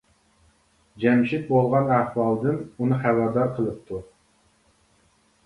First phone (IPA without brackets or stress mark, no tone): d͡ʒ